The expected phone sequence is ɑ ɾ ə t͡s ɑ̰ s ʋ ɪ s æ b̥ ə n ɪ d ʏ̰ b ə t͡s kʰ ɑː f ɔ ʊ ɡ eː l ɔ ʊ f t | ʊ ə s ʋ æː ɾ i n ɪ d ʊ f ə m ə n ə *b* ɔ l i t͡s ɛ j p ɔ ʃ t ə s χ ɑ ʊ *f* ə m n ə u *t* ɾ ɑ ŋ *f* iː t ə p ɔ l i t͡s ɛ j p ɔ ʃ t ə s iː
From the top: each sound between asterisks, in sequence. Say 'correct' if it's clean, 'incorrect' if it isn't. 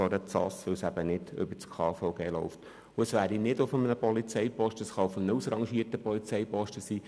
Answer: incorrect: p, correct, incorrect: s, incorrect: ʃ

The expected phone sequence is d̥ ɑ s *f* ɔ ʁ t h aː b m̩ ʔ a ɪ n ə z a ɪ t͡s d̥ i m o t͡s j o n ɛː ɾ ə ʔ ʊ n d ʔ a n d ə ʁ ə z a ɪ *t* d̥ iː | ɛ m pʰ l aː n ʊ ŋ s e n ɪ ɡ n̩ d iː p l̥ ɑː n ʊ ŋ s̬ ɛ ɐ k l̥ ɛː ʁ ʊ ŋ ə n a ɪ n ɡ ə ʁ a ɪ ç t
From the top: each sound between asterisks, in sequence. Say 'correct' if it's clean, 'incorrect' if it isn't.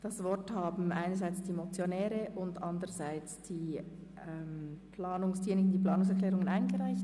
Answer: incorrect: v, incorrect: t͡s

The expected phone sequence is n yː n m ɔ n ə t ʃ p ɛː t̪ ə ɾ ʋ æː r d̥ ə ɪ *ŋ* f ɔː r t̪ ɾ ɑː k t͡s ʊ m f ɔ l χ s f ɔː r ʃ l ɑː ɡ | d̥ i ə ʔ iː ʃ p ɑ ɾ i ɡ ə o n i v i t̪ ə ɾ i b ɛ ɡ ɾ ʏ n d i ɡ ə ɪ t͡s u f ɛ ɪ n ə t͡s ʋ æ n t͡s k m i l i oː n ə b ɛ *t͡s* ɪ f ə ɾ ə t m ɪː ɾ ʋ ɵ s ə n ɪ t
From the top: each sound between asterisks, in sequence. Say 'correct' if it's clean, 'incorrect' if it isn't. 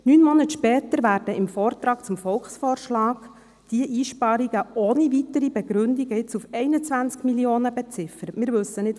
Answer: incorrect: m, correct

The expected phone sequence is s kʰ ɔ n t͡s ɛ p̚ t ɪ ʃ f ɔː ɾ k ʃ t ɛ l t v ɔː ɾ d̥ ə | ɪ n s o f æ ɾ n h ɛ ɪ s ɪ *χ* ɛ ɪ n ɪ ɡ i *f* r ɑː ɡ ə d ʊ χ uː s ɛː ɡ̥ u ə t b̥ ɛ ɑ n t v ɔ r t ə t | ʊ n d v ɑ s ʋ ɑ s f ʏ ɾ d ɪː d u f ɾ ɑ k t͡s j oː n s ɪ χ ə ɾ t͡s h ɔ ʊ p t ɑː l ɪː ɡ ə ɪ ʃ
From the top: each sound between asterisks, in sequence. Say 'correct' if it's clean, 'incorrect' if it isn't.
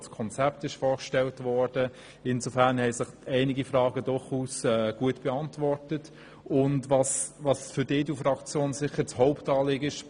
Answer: correct, correct

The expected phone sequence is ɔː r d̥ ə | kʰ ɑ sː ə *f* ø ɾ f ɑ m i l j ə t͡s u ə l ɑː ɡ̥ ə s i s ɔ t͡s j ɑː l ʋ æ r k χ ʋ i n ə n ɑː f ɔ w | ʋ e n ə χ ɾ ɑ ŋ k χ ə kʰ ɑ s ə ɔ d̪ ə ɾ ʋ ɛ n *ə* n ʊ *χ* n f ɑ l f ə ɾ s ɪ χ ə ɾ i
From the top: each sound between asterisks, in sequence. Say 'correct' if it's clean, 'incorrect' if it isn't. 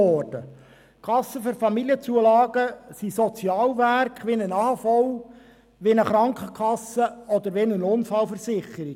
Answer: correct, correct, incorrect: none

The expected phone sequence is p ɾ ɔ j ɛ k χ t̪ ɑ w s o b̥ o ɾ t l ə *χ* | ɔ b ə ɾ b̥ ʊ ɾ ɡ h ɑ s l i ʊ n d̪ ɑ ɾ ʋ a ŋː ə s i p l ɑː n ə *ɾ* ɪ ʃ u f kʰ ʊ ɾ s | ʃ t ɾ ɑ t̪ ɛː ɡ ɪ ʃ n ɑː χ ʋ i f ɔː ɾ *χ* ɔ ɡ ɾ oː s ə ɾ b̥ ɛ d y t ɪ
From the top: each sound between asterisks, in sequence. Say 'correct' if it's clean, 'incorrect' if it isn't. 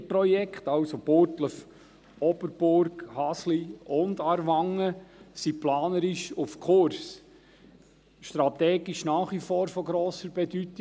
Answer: incorrect: f, correct, incorrect: f

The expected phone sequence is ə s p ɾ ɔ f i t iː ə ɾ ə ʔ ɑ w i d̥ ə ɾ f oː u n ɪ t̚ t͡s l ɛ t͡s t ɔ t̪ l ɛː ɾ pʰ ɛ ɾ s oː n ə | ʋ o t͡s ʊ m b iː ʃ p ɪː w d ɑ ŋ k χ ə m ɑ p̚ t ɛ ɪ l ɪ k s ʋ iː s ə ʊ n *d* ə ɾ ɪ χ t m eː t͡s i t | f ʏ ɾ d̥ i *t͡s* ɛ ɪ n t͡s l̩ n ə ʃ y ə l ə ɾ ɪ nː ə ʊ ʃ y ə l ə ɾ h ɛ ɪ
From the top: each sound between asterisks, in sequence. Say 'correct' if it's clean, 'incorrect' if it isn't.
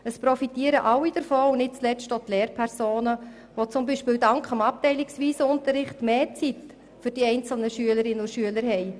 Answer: incorrect: t, incorrect: none

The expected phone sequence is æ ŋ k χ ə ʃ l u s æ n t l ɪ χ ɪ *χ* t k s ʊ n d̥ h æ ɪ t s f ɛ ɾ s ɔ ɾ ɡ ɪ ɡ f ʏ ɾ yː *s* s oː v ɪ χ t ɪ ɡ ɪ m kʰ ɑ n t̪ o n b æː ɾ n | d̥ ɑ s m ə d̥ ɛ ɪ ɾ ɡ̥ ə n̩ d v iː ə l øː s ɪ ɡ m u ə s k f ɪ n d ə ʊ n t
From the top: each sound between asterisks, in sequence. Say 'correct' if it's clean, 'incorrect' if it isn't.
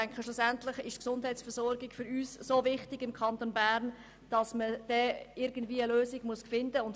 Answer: incorrect: ʃ, correct

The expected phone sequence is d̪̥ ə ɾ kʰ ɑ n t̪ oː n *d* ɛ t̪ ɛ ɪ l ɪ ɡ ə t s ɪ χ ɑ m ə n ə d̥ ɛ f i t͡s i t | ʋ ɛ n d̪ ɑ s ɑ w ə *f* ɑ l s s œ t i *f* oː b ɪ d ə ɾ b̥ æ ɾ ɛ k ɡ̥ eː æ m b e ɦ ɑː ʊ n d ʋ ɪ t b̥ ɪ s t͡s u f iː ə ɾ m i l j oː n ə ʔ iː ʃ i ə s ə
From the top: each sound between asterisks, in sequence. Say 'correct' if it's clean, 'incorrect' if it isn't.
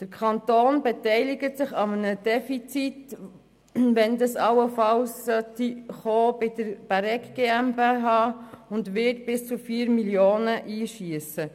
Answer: incorrect: b, correct, incorrect: χ

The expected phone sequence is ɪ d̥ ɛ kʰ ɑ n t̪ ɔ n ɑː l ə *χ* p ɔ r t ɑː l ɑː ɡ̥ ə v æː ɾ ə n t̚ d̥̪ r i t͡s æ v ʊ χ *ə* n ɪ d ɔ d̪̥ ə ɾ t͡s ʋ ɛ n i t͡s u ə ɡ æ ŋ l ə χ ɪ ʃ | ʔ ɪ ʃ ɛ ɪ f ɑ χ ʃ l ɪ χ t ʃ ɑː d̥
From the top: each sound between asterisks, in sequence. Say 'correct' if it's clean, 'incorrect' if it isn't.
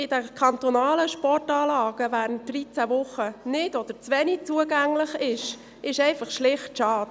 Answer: incorrect: ʃ, correct

